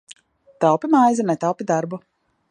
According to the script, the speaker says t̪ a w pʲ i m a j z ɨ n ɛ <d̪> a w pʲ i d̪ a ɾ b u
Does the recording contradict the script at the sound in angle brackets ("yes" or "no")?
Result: yes